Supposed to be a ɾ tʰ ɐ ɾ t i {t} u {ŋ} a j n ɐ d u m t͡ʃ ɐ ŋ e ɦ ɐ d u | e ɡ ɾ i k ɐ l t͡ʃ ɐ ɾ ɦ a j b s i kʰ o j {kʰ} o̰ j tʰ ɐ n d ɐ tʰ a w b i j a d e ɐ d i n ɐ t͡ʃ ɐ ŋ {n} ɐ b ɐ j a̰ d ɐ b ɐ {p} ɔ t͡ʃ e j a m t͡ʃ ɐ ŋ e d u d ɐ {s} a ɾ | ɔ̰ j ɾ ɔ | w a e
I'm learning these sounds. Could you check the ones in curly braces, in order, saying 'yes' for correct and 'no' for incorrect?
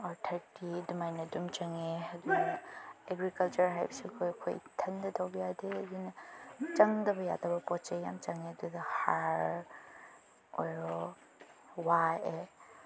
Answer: no, no, yes, no, yes, no

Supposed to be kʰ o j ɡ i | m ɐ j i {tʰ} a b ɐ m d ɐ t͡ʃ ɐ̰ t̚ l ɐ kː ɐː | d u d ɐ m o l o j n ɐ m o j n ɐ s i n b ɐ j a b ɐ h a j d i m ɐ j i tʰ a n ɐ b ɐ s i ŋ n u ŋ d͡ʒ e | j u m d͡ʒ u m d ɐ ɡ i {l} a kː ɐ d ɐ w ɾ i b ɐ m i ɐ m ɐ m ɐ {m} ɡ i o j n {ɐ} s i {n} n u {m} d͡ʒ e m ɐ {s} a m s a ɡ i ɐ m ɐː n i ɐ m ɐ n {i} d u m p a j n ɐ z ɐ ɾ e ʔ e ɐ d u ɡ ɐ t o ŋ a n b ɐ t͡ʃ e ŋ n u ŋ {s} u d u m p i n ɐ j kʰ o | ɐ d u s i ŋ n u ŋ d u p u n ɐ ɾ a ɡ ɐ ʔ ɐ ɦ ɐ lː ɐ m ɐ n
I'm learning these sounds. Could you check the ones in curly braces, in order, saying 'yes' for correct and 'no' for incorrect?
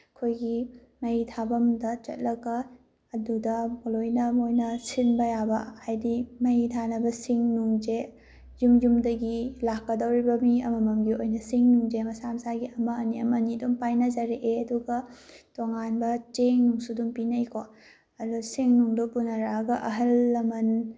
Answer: yes, yes, yes, yes, no, no, yes, yes, yes

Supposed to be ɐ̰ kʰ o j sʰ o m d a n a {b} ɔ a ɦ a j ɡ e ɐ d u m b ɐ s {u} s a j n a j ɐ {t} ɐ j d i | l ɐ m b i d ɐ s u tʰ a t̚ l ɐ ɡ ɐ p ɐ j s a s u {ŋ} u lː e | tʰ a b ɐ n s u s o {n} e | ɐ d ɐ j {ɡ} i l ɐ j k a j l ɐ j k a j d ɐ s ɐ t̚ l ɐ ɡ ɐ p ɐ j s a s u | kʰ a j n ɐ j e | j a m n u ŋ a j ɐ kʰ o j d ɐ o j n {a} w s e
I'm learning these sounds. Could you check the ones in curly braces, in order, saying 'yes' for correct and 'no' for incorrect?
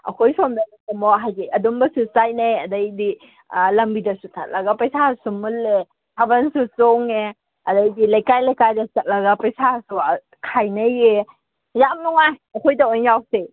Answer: no, yes, no, no, no, no, yes

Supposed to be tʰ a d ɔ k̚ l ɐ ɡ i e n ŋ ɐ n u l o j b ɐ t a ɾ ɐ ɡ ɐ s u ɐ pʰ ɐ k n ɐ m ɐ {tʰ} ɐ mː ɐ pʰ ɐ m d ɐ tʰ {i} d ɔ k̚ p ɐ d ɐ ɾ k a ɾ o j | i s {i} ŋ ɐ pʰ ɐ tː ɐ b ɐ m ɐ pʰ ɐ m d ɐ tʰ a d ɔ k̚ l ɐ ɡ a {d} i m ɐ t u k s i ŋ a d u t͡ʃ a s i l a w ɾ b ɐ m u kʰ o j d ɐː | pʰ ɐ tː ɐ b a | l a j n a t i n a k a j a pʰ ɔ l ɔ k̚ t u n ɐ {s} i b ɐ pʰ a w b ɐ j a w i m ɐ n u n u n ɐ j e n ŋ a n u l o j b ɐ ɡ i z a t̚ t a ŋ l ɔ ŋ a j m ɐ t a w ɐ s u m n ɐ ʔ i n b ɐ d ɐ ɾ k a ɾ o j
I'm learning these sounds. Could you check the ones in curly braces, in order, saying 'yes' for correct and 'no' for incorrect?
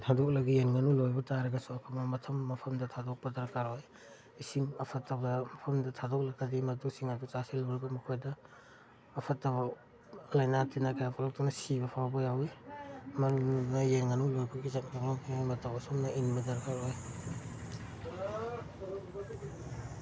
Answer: yes, no, yes, yes, yes

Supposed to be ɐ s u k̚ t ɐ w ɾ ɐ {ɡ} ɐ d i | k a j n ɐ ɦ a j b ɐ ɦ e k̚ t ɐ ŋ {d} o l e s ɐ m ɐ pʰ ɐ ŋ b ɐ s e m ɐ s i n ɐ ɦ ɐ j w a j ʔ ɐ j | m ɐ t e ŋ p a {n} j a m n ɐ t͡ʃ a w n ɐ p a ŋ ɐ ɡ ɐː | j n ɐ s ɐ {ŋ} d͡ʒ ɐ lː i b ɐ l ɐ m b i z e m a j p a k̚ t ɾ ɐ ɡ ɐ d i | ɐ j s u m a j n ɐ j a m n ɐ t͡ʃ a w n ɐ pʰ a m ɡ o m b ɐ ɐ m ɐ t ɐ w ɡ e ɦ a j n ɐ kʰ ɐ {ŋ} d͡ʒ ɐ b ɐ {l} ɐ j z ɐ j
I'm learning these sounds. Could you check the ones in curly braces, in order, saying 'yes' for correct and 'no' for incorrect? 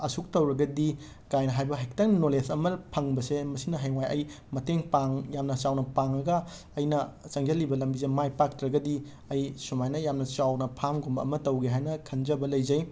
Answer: yes, no, no, yes, no, yes

